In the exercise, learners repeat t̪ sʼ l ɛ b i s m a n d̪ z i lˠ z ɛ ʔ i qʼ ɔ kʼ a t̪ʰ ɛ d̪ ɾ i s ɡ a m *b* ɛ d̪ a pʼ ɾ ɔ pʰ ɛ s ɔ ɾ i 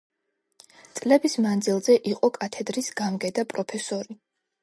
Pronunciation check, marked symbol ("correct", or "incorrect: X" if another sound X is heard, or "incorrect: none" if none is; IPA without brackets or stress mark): incorrect: ɡ